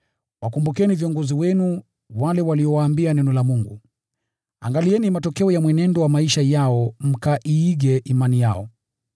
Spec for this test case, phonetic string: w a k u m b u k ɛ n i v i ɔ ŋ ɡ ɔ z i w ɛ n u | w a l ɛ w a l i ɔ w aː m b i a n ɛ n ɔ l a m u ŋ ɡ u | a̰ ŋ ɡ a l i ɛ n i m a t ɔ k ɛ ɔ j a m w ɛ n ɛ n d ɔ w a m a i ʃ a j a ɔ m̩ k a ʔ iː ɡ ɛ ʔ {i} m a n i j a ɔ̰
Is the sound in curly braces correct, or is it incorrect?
correct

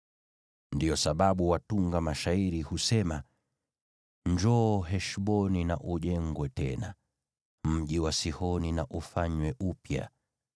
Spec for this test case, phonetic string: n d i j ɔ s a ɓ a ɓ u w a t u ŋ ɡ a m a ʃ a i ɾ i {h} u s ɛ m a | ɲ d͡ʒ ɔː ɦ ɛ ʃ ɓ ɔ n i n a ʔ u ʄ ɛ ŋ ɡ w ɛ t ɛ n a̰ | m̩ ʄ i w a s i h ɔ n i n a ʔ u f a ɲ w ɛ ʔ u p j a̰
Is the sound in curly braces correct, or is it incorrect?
correct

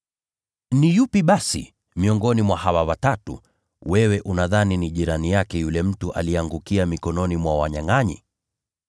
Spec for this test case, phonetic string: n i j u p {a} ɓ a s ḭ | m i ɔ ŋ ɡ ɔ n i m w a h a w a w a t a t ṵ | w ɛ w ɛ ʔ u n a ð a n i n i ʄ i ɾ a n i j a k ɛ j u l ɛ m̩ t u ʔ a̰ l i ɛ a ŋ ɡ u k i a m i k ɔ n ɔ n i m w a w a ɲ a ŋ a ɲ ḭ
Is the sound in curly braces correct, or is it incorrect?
incorrect: i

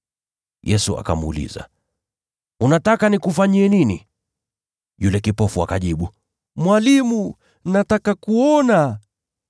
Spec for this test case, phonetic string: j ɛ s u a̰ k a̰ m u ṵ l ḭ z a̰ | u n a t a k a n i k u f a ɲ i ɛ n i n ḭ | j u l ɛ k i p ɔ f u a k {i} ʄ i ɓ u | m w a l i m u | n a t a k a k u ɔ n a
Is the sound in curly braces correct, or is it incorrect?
incorrect: a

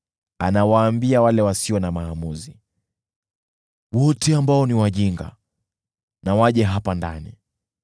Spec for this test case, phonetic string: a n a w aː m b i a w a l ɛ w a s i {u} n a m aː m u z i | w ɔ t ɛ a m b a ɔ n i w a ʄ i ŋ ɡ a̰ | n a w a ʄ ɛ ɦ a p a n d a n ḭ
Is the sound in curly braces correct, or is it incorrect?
incorrect: ɔ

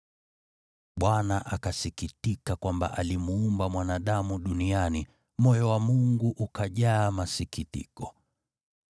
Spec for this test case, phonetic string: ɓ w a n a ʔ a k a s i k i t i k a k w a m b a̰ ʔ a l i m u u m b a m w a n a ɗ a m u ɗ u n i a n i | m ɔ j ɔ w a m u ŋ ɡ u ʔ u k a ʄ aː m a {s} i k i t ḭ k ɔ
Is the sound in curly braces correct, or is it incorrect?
correct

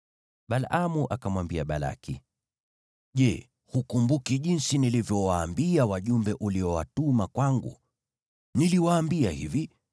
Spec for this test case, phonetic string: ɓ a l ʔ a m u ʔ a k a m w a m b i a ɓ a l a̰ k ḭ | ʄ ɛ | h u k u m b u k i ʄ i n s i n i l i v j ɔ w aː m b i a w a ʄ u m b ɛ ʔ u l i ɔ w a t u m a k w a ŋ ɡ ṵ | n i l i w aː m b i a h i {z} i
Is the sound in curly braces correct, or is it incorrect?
incorrect: v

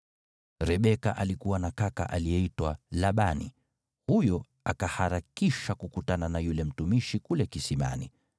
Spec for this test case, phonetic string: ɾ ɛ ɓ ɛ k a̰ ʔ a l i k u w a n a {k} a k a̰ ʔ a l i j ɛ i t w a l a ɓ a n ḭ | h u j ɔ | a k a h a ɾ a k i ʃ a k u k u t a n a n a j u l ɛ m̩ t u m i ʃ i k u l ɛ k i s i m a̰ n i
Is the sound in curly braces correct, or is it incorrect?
correct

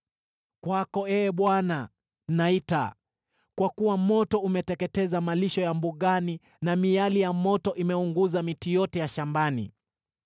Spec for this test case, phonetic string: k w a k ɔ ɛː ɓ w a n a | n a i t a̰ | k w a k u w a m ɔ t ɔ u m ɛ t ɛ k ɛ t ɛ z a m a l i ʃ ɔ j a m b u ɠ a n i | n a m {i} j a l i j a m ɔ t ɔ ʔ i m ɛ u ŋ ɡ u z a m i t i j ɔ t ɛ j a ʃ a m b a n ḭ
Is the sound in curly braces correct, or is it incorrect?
correct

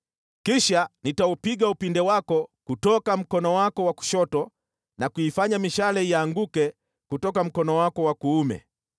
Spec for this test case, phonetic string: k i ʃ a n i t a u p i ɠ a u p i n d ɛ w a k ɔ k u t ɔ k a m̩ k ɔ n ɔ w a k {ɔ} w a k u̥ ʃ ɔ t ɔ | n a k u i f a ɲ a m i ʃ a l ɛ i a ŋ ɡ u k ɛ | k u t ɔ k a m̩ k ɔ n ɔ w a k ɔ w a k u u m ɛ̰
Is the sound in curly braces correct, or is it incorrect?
correct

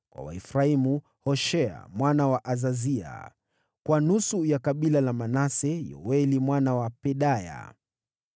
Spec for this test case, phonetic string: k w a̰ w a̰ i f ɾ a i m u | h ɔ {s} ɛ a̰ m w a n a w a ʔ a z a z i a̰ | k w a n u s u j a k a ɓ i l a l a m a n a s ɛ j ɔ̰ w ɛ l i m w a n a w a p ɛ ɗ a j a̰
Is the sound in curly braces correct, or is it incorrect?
incorrect: ʃ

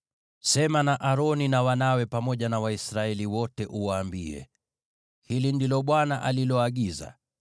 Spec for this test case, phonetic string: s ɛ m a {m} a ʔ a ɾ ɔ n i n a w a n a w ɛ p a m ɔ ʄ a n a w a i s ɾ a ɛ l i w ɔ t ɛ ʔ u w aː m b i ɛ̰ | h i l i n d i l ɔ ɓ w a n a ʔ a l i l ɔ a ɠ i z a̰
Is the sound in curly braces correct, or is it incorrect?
incorrect: n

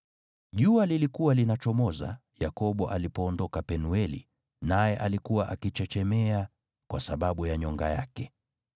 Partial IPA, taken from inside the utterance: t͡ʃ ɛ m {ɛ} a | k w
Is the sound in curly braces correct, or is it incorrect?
correct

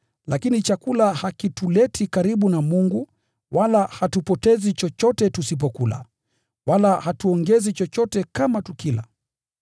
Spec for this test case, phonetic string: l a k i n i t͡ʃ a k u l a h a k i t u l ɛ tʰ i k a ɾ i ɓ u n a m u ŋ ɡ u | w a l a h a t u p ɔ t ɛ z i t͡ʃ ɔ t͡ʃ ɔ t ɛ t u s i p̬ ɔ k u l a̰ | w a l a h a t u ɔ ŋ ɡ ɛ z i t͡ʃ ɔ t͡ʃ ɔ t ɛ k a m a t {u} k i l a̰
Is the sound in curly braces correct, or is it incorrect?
correct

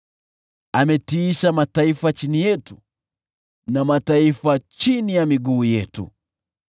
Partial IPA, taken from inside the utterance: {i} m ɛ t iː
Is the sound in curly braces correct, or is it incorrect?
incorrect: a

